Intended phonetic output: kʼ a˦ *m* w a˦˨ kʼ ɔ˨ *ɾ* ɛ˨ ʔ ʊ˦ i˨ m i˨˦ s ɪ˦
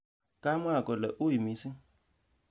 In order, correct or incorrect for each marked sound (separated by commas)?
correct, incorrect